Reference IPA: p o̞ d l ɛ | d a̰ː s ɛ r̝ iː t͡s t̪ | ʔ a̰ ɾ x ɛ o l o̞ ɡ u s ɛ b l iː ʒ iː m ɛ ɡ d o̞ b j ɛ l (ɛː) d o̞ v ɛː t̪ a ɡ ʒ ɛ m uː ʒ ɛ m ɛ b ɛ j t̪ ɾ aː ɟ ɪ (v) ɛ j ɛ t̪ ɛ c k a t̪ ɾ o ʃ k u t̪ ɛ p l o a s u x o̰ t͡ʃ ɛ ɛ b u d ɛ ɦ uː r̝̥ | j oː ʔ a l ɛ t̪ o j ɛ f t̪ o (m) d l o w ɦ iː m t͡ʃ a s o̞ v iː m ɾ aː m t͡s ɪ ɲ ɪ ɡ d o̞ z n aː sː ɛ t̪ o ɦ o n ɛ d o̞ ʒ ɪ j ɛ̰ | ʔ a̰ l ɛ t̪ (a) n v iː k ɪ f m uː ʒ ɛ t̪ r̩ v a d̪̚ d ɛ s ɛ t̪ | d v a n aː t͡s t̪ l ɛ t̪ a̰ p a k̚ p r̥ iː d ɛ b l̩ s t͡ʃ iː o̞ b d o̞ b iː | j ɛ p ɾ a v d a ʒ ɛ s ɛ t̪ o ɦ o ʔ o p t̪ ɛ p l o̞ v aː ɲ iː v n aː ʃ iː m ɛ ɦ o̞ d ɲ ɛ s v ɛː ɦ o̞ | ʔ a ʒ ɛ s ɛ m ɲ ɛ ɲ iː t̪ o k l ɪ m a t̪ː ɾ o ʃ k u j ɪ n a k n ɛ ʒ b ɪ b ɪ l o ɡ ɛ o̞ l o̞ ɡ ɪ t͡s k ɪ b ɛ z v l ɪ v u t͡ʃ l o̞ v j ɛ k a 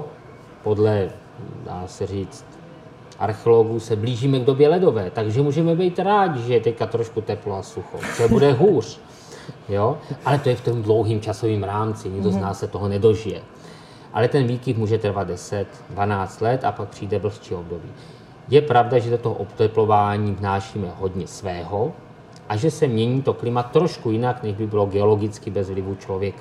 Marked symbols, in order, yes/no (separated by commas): no, no, yes, no